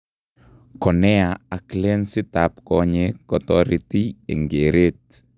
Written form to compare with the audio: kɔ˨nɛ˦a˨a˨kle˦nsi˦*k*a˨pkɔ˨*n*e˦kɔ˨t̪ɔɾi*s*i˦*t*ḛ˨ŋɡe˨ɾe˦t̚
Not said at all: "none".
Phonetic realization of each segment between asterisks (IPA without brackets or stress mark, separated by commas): t, ɲ, t, none